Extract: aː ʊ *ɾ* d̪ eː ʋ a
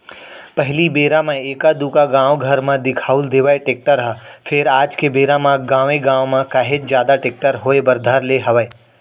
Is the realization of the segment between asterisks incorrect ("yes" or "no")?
yes